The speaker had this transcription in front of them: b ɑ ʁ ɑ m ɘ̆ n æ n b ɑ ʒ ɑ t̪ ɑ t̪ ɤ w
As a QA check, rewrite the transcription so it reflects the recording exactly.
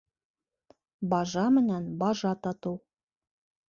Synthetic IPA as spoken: b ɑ ʒ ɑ m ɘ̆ n æ n b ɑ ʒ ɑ t̪ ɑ t̪ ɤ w